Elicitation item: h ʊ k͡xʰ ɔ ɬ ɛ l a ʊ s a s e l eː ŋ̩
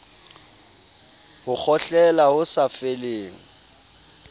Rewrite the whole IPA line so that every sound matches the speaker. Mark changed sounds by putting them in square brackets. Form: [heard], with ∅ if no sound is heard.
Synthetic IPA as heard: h ʊ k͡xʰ ɔ ɬ ɛ l a ʊ s a [f] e l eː ŋ̩